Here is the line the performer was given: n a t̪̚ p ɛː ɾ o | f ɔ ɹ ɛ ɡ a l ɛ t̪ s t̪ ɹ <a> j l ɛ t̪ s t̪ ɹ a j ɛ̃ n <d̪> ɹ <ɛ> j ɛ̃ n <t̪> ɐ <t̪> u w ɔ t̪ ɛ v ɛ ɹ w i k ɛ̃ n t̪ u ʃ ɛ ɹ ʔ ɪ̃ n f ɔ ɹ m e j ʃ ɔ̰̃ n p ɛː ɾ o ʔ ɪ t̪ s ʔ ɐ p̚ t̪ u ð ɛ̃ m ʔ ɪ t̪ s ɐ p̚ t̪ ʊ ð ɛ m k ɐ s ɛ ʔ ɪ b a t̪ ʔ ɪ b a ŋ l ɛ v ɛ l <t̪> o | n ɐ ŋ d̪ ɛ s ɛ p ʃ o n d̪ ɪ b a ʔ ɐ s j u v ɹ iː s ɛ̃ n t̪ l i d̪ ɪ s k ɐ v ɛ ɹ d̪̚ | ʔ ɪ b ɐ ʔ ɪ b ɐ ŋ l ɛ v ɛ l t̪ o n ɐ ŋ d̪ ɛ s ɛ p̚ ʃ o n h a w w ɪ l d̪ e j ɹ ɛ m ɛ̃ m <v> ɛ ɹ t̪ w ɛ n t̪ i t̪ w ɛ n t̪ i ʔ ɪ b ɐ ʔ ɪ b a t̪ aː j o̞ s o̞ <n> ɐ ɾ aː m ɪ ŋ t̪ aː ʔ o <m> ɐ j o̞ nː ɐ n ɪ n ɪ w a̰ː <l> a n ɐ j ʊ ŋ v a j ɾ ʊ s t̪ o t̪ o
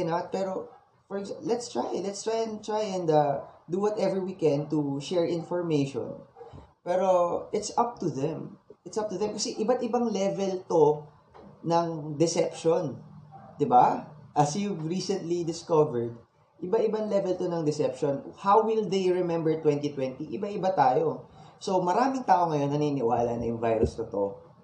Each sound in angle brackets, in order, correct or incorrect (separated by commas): correct, incorrect, incorrect, incorrect, incorrect, correct, incorrect, incorrect, incorrect, correct